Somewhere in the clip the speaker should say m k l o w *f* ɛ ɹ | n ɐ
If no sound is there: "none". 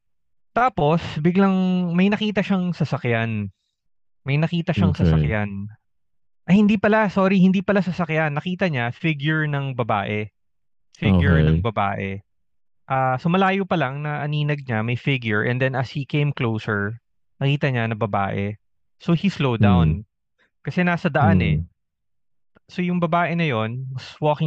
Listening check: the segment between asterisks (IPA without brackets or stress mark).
s